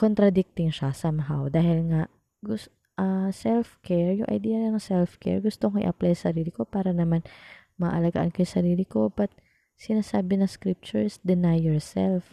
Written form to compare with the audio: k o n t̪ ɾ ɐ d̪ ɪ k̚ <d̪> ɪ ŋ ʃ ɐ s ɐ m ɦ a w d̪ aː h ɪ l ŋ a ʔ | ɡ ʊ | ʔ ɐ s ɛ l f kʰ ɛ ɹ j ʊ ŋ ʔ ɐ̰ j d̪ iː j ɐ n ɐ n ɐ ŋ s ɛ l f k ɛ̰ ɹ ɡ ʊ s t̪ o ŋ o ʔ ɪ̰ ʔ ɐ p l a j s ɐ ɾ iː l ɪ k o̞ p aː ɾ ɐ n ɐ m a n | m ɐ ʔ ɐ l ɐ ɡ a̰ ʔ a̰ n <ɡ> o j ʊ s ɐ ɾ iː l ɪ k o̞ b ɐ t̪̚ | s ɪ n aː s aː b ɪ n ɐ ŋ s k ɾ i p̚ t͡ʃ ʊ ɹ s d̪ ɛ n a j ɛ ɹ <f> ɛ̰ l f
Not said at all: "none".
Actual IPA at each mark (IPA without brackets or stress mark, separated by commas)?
t̪, k, s